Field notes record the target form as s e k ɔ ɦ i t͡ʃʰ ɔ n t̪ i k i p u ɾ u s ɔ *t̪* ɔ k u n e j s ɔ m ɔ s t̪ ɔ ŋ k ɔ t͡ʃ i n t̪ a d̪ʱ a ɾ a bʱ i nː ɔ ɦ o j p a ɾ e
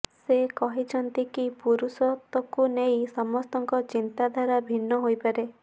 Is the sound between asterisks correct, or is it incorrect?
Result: correct